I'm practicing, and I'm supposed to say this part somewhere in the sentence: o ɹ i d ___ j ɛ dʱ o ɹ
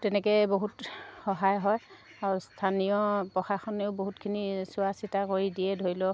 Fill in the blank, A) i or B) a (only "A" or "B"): A